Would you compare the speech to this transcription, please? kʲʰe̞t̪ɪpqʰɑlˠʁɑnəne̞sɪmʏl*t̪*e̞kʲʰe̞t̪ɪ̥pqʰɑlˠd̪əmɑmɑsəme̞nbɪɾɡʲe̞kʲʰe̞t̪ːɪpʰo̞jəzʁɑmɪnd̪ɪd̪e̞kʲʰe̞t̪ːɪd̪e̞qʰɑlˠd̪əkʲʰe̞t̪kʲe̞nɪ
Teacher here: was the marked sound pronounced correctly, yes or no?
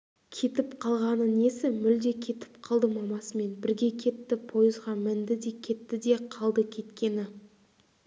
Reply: no